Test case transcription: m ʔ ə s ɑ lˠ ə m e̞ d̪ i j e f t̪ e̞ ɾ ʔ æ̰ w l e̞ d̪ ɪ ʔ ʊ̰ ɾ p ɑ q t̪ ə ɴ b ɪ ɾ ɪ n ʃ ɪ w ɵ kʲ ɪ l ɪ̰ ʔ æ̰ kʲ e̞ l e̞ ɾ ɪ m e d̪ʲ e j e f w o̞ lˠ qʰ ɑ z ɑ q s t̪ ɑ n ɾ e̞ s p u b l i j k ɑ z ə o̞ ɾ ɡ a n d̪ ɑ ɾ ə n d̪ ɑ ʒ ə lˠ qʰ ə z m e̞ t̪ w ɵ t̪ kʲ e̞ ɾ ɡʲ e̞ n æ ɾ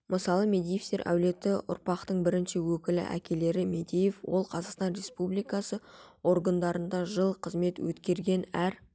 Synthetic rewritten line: m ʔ ə s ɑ lˠ ə m e̞ d̪ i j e f t̪ e̞ ɾ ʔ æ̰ w l e̞ t̪ ɪ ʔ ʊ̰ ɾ p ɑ q t̪ ə ɴ b ɪ ɾ ɪ n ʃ ɪ w ɵ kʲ ɪ l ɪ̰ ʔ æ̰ kʲ e̞ l e̞ ɾ ɪ m e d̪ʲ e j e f w o̞ lˠ qʰ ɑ z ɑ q s t̪ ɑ n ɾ e̞ s p u b l i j k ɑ s ə o̞ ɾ ɡ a n d̪ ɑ ɾ ə n d̪ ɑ ʒ ə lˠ qʰ ə z m e̞ t̪ w ɵ t̪ kʲ e̞ ɾ ɡʲ e̞ n æ ɾ